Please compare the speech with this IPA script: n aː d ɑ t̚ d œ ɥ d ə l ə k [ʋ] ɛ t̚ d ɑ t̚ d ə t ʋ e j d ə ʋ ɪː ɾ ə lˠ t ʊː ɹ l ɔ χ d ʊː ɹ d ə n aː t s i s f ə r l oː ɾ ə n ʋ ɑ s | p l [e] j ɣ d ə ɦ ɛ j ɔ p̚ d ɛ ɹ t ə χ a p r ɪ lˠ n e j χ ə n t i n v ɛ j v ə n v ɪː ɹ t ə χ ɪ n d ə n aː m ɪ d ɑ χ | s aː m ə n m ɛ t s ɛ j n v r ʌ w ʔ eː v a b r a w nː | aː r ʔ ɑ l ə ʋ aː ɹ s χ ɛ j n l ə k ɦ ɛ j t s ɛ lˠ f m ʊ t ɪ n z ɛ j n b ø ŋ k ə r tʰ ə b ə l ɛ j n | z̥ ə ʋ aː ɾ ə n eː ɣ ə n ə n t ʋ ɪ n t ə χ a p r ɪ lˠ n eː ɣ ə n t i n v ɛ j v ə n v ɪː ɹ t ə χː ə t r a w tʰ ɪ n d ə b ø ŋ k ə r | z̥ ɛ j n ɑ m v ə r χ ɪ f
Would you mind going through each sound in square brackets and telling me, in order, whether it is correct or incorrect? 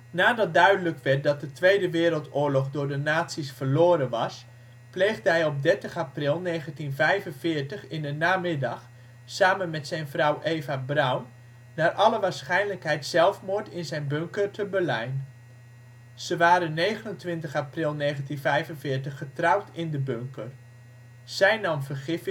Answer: correct, correct

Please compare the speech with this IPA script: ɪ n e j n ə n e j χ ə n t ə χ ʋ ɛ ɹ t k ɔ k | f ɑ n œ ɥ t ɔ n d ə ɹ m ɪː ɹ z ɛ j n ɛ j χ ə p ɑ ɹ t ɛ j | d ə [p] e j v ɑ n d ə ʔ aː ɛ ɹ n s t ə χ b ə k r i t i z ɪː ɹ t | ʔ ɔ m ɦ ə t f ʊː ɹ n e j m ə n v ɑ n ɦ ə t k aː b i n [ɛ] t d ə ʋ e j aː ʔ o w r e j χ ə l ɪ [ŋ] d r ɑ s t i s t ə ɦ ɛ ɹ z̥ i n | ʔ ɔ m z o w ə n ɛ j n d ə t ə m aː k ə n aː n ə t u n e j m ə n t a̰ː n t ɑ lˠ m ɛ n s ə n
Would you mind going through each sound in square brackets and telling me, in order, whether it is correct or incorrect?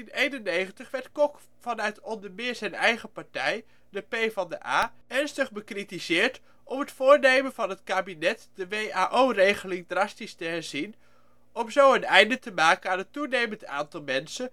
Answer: correct, correct, correct

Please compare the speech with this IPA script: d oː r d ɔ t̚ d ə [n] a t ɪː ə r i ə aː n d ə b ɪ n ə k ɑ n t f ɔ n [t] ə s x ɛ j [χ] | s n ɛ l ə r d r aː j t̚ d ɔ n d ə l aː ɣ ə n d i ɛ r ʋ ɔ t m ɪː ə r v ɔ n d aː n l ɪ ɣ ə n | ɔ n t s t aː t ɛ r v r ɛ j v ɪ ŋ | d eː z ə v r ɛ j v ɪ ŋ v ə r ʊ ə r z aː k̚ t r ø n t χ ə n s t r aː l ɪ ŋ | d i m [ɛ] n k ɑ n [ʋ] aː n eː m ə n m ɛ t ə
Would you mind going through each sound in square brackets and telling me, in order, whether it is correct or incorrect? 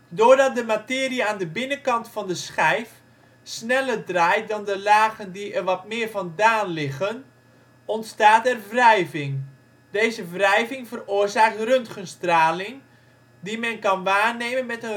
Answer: incorrect, incorrect, incorrect, correct, correct

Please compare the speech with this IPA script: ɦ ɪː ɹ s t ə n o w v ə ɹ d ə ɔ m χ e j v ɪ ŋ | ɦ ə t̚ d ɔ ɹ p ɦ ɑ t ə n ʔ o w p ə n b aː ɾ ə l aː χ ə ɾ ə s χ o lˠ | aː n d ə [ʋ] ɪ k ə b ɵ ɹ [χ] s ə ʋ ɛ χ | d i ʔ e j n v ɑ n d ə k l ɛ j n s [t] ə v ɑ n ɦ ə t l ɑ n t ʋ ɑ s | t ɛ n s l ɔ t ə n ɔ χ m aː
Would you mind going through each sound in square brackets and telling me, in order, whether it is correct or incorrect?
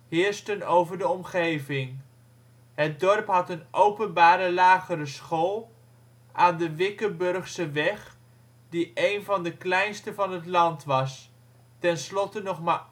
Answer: correct, correct, correct

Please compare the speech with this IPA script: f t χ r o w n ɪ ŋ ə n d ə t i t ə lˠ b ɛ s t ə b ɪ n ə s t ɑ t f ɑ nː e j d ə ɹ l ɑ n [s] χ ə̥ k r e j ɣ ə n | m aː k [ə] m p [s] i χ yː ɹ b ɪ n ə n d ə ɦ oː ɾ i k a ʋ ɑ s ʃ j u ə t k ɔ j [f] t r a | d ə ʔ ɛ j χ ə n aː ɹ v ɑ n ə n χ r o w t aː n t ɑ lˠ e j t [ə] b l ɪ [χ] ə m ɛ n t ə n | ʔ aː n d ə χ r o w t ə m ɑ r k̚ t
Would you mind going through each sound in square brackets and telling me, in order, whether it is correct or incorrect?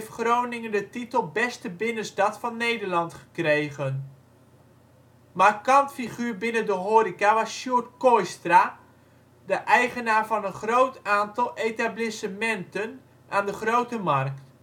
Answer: incorrect, incorrect, incorrect, incorrect, incorrect, incorrect

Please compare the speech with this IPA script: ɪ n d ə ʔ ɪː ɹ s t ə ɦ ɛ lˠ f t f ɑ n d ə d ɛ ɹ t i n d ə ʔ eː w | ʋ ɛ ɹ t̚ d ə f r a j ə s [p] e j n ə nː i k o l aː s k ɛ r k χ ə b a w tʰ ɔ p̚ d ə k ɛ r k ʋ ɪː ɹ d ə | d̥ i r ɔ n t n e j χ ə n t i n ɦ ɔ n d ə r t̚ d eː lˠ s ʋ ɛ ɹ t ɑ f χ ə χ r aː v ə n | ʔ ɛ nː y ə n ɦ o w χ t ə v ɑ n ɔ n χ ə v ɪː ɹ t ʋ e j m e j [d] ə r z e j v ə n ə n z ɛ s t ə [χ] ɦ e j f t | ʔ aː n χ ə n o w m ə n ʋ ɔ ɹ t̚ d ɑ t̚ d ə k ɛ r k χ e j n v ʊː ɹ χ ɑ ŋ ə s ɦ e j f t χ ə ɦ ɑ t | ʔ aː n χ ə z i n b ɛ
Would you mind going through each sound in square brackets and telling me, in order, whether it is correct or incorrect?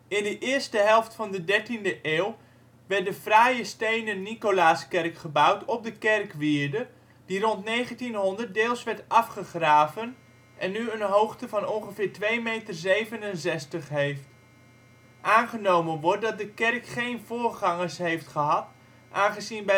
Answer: incorrect, incorrect, correct

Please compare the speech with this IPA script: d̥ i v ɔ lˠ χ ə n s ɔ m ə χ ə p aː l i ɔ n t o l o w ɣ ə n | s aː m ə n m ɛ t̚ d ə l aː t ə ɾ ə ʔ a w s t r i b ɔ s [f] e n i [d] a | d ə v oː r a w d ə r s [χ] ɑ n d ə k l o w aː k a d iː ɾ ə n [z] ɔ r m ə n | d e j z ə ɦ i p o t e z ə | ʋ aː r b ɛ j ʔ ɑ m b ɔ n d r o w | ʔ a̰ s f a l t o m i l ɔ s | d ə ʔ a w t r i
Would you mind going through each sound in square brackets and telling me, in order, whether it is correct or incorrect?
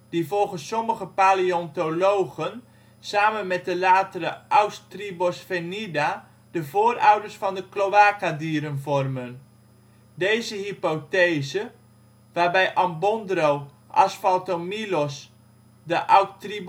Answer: correct, correct, incorrect, incorrect

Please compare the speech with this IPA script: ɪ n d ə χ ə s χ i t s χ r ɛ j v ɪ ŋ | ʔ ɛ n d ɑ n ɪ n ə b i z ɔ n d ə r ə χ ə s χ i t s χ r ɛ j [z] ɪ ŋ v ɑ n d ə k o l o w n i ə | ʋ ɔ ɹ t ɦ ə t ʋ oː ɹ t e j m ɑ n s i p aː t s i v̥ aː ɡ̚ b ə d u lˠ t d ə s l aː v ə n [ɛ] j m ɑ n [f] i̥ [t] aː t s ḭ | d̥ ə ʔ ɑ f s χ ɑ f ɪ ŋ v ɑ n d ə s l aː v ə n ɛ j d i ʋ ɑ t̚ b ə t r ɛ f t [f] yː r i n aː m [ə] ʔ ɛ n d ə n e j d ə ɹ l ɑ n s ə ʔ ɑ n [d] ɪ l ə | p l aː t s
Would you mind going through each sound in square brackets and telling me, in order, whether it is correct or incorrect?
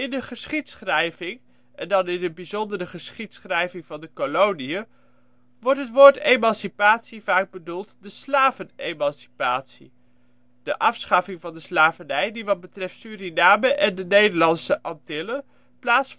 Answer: incorrect, incorrect, incorrect, incorrect, incorrect, correct, incorrect

